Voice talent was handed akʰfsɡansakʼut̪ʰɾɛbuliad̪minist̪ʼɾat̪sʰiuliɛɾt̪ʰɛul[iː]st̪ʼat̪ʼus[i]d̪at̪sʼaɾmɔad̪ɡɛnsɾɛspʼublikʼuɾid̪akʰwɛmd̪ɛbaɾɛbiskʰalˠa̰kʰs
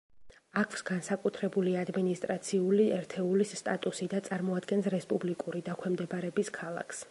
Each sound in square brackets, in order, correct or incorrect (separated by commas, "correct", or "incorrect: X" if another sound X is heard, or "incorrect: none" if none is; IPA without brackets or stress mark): incorrect: i, correct